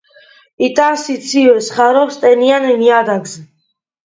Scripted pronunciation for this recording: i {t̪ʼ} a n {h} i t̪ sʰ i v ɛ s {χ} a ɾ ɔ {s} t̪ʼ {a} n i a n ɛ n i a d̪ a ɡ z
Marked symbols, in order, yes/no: yes, no, yes, yes, no

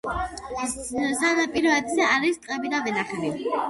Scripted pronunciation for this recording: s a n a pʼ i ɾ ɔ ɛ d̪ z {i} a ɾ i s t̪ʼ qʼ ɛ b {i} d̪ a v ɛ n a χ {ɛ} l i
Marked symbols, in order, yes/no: no, yes, yes

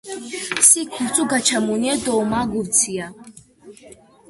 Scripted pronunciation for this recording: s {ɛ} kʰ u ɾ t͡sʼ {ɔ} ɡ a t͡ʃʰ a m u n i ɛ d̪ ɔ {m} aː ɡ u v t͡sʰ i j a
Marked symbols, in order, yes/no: no, no, yes

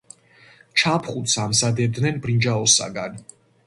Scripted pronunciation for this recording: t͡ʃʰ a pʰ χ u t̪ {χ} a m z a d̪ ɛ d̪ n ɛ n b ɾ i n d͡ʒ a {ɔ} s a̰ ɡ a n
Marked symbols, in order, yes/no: no, yes

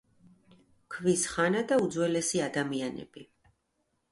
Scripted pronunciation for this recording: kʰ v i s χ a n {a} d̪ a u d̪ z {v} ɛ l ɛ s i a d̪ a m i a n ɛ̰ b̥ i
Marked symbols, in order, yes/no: yes, no

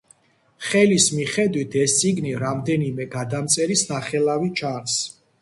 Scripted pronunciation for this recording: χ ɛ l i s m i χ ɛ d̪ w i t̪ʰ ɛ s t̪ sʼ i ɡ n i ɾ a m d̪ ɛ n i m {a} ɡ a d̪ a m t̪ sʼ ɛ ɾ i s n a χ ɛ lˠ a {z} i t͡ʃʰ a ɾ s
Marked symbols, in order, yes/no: no, no

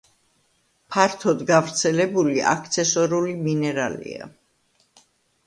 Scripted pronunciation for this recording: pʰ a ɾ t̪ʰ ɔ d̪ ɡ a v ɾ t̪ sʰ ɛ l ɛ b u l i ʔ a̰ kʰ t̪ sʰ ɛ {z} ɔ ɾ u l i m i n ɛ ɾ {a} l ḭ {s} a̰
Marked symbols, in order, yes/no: no, yes, no

